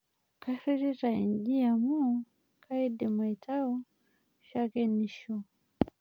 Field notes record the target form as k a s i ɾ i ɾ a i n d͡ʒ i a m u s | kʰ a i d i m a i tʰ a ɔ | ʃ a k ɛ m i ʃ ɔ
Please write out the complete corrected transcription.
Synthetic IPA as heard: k a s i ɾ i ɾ a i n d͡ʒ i a m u | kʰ a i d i m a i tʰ a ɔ | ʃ a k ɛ n i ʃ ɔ